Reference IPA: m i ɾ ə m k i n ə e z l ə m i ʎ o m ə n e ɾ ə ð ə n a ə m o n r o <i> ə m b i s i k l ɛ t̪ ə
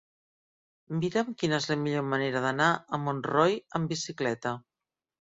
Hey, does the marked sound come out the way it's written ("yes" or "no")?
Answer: no